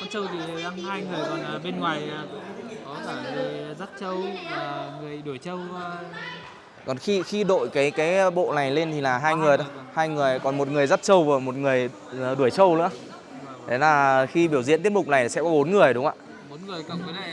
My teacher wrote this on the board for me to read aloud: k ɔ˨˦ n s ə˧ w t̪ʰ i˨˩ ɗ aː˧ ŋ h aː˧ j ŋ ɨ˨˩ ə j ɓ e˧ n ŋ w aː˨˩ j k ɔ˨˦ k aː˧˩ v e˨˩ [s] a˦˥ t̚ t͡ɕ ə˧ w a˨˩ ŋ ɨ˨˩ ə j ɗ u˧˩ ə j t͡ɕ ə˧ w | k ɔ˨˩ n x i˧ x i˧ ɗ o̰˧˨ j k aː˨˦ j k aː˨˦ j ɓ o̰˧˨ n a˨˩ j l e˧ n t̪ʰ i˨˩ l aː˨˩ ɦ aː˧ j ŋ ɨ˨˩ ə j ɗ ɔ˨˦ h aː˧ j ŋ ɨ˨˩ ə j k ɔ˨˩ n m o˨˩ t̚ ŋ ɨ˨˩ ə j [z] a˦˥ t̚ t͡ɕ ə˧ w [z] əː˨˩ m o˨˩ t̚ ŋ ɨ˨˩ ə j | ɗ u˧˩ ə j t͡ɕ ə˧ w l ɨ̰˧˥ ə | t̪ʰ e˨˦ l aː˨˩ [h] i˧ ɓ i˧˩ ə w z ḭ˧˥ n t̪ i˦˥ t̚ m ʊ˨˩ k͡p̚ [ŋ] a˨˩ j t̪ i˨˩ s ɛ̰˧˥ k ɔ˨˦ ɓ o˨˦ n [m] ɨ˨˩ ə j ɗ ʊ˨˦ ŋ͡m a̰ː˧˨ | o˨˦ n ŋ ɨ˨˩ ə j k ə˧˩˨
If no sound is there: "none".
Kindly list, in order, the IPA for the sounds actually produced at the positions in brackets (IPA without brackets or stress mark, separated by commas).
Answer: z, z, v, x, n, ŋ